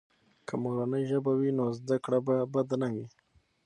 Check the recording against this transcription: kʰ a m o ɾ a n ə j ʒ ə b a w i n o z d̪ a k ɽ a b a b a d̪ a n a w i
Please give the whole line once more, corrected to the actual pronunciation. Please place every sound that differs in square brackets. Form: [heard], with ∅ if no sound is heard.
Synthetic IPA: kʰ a m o ɾ a n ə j ʒ ə b a w i n o z d̪ a k ɽ a b a b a d̪ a n a w i